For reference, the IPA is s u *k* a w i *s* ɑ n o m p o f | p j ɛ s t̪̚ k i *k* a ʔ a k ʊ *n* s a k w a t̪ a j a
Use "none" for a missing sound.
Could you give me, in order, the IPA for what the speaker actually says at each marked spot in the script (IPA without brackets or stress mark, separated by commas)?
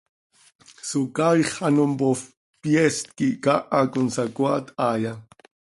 k, χ, k, n